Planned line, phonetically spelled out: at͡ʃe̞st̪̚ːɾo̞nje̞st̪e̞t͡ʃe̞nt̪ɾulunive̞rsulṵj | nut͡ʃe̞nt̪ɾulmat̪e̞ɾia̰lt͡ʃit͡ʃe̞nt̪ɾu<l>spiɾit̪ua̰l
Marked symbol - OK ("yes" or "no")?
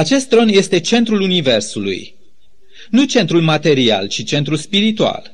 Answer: yes